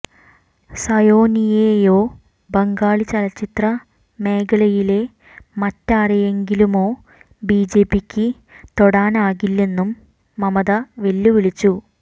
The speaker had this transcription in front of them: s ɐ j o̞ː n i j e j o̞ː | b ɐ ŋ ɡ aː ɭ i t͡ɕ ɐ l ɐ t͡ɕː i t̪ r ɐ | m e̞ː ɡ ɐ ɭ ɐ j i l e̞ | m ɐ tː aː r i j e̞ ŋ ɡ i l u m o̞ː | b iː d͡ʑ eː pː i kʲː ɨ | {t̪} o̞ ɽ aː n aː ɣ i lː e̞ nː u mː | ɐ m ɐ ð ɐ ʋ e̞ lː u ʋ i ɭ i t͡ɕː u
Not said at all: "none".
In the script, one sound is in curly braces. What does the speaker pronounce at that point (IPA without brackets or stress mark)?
t̪